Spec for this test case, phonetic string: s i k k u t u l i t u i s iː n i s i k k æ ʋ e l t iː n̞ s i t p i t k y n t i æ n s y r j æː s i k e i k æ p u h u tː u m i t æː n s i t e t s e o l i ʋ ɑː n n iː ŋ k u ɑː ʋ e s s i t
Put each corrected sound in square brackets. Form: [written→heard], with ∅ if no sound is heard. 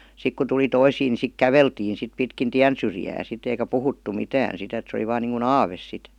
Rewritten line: s i k k u t u l i t [u→o] i s iː n i s i k k æ ʋ e l t iː n̞ s i t p i t k [y→i] n t i æ n s y r j æː s i [k→t] e i k æ p u h u tː u m i t æː n s i t e t s e o l i ʋ ɑː n n iː ŋ k u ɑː ʋ e s s i t